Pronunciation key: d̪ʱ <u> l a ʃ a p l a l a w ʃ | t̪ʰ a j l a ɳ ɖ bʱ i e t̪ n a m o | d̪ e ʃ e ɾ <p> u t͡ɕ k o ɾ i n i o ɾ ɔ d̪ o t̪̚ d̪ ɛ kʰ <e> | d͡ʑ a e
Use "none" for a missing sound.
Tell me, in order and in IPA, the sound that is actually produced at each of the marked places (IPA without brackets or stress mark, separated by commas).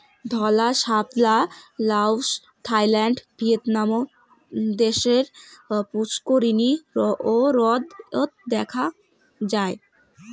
ɔ, p, a